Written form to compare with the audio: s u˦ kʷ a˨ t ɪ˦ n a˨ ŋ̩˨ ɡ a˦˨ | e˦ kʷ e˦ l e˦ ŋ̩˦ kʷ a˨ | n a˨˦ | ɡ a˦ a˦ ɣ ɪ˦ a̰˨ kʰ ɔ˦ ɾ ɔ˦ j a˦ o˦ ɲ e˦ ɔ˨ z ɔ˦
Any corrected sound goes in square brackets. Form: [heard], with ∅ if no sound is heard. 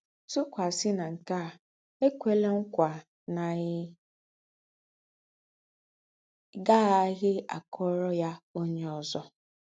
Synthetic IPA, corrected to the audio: s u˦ kʷ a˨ [s] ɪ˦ n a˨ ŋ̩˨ [k] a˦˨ | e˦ kʷ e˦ l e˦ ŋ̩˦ kʷ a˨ | n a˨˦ | ɡ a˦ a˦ ɣ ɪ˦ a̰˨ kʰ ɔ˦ ɾ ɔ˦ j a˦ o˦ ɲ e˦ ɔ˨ z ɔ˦